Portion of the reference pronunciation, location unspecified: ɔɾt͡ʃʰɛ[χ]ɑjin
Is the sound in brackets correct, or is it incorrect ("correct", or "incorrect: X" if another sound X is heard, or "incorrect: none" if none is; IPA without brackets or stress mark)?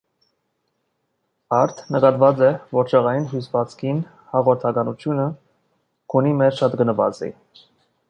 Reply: incorrect: ʁ